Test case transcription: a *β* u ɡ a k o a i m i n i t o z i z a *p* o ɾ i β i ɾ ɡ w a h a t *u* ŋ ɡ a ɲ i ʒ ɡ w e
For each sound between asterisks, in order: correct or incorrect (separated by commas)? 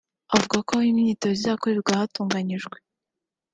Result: incorrect, incorrect, incorrect